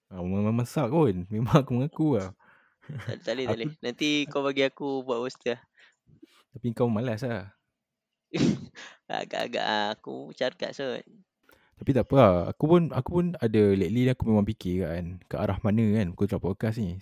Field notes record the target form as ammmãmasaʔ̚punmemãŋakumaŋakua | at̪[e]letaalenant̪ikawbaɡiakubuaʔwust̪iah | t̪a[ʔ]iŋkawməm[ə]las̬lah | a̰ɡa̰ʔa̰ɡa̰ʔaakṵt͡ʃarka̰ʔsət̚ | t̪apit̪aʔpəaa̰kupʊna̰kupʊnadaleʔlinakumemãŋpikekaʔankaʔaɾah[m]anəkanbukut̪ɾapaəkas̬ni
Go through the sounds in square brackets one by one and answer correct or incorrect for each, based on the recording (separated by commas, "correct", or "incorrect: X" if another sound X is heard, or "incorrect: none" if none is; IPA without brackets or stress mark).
incorrect: a, incorrect: p, incorrect: a, correct